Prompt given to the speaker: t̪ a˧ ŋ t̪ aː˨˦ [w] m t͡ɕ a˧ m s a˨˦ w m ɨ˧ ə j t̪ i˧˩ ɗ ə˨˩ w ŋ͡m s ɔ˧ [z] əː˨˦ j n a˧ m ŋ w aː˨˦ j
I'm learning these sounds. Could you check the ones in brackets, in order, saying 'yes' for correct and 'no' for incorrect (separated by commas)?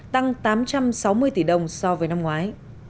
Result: no, no